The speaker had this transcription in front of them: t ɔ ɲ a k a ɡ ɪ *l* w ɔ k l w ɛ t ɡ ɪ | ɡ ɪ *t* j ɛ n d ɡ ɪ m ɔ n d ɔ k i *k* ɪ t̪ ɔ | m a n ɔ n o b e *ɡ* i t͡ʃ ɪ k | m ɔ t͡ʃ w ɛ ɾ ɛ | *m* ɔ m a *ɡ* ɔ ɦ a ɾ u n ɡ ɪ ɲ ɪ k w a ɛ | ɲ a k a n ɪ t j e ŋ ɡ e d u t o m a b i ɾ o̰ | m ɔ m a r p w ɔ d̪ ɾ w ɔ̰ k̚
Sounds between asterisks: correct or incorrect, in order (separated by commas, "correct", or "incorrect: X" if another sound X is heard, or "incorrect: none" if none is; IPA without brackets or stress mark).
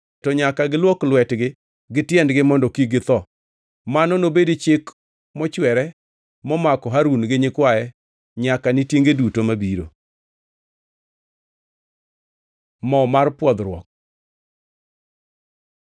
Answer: correct, correct, incorrect: ɡ, incorrect: d, correct, incorrect: k